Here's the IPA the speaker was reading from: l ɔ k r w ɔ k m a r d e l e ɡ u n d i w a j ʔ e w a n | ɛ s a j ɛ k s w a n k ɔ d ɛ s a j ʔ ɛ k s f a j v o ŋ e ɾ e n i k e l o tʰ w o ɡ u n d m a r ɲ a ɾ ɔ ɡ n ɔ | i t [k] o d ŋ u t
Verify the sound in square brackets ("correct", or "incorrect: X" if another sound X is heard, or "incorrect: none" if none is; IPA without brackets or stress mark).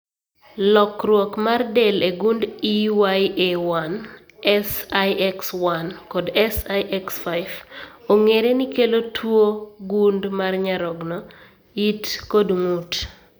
correct